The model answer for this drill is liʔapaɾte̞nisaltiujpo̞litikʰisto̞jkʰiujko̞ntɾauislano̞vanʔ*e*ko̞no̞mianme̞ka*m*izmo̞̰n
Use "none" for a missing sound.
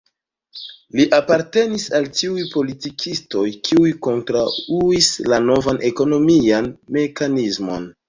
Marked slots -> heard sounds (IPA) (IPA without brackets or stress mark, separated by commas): e, n